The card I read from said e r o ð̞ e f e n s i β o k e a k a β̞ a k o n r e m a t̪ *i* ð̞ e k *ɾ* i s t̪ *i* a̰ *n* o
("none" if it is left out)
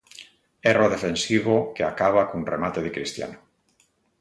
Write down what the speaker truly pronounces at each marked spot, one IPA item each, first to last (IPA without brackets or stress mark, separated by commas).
e, ɾ, j, n